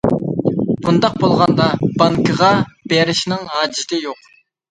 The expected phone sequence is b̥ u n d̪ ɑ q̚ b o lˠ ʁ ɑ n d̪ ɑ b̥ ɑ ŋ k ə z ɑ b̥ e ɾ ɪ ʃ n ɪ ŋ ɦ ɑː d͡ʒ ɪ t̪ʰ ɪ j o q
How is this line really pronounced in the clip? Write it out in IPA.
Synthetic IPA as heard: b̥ u n d̪ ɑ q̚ b o lˠ ʁ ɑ n d̪ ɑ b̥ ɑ ŋ k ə ʁ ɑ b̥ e ɾ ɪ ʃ n ɪ ŋ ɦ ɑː d͡ʒ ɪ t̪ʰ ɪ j o q